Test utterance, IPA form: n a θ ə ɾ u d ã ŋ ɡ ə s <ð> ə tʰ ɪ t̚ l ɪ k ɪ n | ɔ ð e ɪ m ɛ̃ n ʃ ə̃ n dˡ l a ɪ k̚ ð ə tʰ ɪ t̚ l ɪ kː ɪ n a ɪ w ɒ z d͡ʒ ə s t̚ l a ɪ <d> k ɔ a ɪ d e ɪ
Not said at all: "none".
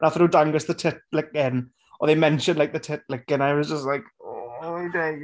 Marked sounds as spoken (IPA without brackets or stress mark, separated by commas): ð, none